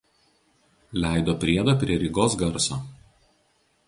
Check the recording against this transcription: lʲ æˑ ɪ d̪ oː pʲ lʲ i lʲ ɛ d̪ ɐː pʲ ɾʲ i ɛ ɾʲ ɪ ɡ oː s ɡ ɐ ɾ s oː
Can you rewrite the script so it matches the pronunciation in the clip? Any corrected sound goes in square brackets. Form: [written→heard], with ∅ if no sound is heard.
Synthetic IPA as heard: lʲ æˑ ɪ d̪ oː pʲ [lʲ→ɾʲ] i [lʲ→∅] ɛ d̪ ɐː pʲ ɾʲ i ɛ ɾʲ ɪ ɡ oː s ɡ ɐ ɾ s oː

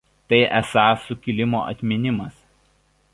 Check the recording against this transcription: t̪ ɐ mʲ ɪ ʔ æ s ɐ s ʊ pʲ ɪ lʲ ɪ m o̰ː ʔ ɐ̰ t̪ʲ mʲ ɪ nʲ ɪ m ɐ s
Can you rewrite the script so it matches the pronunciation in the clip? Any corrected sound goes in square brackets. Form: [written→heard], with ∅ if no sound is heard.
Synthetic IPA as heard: t̪ ɐ [mʲ→∅] ɪ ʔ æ s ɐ s ʊ [pʲ→kʲ] ɪ lʲ ɪ m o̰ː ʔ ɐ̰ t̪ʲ mʲ ɪ nʲ ɪ m ɐ s

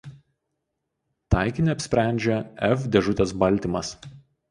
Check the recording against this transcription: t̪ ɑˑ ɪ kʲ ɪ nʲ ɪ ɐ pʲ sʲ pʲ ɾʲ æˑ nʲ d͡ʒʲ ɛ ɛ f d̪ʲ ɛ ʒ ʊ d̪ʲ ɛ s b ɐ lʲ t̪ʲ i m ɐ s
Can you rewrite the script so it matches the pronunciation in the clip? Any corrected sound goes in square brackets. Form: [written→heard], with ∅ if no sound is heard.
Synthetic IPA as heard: t̪ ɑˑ ɪ kʲ ɪ nʲ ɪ ɐ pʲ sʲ pʲ ɾʲ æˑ nʲ d͡ʒʲ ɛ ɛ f d̪ʲ ɛ ʒ ʊ [d̪ʲ→t̪ʲ] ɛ s b ɐ lʲ t̪ʲ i m ɐ s

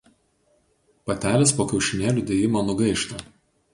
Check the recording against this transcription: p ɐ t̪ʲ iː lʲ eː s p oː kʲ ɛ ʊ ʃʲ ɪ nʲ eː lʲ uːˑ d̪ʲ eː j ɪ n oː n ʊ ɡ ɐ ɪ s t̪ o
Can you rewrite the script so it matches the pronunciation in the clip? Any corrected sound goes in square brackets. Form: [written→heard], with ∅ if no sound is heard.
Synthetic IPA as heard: p ɐ t̪ʲ [iː→æː] lʲ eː s p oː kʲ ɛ ʊ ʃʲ ɪ nʲ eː lʲ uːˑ d̪ʲ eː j ɪ [n→m] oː n ʊ ɡ ɐ ɪ [s→ʃ] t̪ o

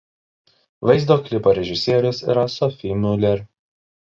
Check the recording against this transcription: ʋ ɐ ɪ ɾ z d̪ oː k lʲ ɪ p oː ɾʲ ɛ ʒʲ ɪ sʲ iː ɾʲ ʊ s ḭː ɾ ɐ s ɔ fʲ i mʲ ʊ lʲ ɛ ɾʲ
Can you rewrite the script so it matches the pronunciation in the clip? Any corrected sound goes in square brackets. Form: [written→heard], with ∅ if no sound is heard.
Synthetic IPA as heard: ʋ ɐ ɪ [ɾ→∅] z d̪ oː k lʲ ɪ p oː ɾʲ ɛ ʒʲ ɪ sʲ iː ɾʲ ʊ s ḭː ɾ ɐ s ɔ fʲ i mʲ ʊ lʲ ɛ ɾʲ

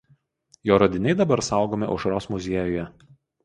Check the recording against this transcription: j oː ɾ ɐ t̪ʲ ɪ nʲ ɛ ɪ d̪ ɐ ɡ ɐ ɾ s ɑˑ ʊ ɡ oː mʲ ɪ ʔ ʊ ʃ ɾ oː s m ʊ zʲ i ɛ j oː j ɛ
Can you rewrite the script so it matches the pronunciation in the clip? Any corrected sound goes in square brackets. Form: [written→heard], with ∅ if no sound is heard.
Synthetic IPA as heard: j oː ɾ ɐ [t̪ʲ→d̪ʲ] ɪ nʲ ɛ ɪ d̪ ɐ [ɡ→b] ɐ ɾ s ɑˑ ʊ ɡ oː mʲ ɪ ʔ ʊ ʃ ɾ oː s m ʊ zʲ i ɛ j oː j ɛ

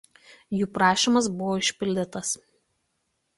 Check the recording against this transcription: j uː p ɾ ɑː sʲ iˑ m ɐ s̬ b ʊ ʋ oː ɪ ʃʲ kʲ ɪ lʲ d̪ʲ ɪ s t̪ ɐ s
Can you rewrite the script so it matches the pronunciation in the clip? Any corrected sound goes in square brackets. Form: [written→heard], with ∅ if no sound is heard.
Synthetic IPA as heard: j uː p ɾ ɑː [sʲ→ʃʲ] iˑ m ɐ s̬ b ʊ ʋ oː ɪ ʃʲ [kʲ→pʲ] ɪ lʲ d̪ʲ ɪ [s→∅] t̪ ɐ s

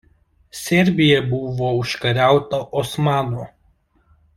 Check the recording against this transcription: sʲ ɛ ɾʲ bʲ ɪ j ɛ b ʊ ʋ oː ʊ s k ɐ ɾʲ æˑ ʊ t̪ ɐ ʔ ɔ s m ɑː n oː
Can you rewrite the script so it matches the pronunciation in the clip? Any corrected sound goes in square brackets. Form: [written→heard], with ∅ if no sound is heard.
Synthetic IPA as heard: sʲ ɛ ɾʲ bʲ ɪ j ɛ b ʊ ʋ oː ʊ [s→ʃ] k ɐ ɾʲ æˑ ʊ t̪ ɐ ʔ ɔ s m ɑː n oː

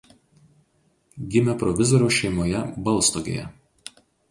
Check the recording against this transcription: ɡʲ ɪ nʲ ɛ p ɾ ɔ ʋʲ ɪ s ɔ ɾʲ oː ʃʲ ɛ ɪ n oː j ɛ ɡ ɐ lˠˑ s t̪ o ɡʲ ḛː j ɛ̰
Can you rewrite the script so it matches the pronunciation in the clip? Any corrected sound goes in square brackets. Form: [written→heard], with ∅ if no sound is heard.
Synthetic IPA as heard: ɡʲ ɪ [nʲ→mʲ] ɛ p ɾ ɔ ʋʲ ɪ [s→z] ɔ ɾʲ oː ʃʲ ɛ ɪ [n→m] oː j ɛ [ɡ→b] ɐ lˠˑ s t̪ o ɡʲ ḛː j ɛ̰

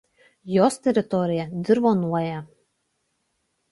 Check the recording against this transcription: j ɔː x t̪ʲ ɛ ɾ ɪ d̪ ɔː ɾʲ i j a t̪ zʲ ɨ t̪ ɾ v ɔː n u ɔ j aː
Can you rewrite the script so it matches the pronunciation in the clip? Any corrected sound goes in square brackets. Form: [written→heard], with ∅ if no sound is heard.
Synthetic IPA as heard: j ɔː [x→s] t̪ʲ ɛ ɾ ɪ [d̪→t̪] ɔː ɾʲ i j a [t̪→d̪] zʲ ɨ [t̪→∅] ɾ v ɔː n u ɔ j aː

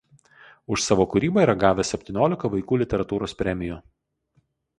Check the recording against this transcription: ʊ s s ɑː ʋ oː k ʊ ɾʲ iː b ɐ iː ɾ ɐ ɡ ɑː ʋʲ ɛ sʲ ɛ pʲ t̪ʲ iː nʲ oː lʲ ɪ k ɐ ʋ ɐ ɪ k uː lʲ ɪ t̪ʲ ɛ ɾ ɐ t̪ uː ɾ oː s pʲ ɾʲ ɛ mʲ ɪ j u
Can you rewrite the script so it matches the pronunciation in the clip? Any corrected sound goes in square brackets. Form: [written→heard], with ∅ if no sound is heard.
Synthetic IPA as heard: ʊ [s→ʃ] s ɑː ʋ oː k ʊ ɾʲ iː b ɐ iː ɾ ɐ ɡ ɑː ʋʲ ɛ sʲ ɛ pʲ t̪ʲ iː nʲ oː lʲ ɪ k ɐ ʋ ɐ ɪ k uː lʲ ɪ t̪ʲ ɛ ɾ ɐ t̪ uː ɾ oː s pʲ ɾʲ ɛ mʲ ɪ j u

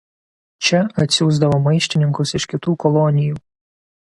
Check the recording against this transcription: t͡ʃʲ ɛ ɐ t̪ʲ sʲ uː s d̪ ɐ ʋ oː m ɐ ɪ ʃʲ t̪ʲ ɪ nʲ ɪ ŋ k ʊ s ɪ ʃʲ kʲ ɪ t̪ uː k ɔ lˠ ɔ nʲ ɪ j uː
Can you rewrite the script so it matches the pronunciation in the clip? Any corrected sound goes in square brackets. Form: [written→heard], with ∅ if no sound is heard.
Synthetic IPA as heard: t͡ʃʲ ɛ ɐ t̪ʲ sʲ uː [s→z] d̪ ɐ ʋ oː m ɐ ɪ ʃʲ t̪ʲ ɪ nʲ ɪ ŋ k ʊ s ɪ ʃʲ kʲ ɪ t̪ uː k ɔ lˠ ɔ nʲ ɪ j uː

